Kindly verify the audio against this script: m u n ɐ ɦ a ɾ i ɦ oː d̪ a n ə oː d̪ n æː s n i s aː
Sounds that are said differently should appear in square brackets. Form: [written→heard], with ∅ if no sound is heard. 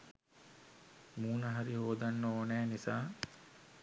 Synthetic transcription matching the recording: m [u→uː] n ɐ ɦ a ɾ i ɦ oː d̪ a [n→nː] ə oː [d̪→∅] n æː [s→∅] n i s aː